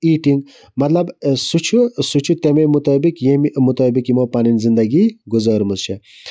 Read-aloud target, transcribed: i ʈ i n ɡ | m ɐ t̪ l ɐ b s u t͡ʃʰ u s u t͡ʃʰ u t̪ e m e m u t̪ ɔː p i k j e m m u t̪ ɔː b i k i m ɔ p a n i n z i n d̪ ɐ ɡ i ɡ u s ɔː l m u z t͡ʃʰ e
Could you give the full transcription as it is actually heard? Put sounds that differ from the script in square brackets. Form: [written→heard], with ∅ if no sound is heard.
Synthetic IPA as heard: i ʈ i [n→ŋ] ɡ | m ɐ t̪ l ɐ b s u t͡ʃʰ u s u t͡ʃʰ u t̪ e m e m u t̪ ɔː [p→b] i k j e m m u t̪ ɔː b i k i m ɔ p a n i n z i n d̪ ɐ ɡ i ɡ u [s→z] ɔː [l→ɾ] m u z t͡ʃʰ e